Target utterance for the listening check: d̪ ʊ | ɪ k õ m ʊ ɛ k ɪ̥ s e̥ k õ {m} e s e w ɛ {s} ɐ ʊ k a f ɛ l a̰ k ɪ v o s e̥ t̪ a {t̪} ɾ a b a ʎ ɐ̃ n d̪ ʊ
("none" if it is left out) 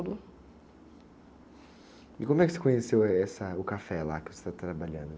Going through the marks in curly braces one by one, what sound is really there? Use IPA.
ɲ, s, t̪

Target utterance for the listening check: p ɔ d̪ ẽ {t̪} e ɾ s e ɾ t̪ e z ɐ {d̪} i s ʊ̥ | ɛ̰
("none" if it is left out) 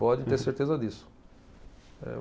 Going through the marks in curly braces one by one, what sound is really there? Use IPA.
t̪, d̪

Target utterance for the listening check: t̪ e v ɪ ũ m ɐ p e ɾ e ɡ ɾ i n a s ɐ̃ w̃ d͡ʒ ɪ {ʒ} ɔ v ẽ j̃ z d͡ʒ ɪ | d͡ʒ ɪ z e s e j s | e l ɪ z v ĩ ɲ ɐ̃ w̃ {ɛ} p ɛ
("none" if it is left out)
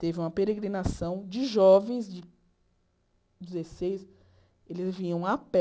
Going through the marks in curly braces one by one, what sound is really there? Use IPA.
ʒ, a

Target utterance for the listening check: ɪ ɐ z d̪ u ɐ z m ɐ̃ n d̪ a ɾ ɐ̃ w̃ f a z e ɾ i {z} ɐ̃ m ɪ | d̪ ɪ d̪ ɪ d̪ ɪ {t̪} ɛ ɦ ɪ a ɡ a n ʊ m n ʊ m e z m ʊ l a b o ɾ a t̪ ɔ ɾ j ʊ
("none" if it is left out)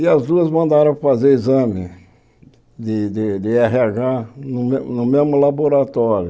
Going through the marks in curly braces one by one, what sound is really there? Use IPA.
z, none

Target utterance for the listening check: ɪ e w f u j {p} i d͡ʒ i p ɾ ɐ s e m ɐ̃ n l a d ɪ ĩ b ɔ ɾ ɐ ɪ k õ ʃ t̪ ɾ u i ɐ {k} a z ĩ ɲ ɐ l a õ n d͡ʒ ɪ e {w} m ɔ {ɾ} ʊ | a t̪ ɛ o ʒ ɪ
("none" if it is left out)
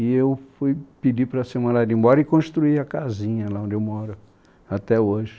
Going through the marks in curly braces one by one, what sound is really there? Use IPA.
p, k, w, ɾ

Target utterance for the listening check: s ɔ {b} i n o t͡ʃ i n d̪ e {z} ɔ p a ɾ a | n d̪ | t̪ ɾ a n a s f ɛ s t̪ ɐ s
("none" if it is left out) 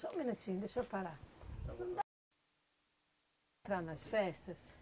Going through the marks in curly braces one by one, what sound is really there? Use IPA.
m, s

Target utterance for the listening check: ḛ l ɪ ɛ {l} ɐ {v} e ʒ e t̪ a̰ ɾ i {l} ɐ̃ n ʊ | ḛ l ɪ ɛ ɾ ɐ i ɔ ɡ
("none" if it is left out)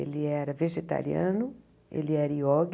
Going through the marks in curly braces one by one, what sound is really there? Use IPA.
ɾ, v, none

